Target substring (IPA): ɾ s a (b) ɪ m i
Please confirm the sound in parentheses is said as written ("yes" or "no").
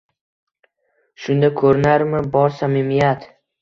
no